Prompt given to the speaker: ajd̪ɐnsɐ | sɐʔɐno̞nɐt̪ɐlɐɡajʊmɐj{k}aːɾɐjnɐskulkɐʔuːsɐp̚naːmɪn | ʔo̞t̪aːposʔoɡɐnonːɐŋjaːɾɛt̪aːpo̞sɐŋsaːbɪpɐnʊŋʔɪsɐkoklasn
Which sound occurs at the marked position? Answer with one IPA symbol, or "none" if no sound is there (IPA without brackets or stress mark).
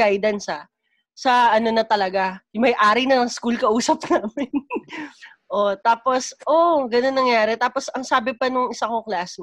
ʔ